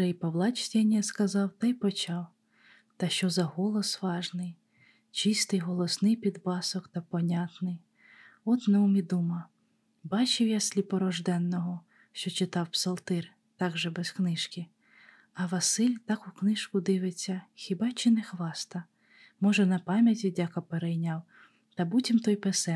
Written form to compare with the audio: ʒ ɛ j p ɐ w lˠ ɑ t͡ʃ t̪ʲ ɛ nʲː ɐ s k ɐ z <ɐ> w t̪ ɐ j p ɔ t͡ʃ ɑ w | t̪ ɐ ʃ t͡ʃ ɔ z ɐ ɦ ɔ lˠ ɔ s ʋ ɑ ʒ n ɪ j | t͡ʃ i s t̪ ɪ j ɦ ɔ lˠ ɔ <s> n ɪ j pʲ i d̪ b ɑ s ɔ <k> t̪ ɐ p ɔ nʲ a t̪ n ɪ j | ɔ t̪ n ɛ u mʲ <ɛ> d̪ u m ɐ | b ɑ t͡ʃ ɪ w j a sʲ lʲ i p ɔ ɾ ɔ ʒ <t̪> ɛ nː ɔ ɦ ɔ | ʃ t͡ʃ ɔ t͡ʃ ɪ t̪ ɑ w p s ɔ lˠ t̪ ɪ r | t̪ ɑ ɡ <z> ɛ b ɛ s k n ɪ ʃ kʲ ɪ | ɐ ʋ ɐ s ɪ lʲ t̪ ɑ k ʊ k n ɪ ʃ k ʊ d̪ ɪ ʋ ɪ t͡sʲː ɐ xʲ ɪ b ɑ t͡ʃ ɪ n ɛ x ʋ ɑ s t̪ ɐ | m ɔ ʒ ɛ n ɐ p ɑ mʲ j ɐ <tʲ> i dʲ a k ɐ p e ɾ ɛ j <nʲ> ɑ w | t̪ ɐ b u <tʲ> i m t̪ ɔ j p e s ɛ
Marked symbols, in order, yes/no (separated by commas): no, yes, yes, no, no, no, yes, yes, yes